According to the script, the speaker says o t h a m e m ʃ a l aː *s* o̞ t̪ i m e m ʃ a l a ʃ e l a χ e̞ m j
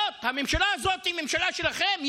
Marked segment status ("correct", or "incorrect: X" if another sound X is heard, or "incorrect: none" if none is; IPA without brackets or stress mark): incorrect: z